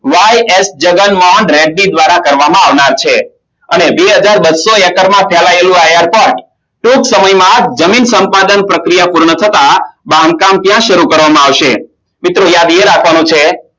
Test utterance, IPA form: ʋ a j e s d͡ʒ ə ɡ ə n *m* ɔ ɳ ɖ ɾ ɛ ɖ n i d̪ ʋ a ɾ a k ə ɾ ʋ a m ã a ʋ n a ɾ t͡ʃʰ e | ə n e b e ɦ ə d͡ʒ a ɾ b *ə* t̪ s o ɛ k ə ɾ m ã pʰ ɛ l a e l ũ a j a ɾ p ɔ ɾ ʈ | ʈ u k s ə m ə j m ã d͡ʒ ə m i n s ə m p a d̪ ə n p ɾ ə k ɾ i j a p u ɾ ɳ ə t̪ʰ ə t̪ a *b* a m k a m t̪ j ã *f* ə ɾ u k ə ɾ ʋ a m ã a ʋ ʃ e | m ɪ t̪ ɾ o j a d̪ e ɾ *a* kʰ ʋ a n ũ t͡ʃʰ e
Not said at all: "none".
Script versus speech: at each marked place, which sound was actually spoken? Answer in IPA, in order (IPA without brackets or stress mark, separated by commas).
m, ə, b, ʃ, a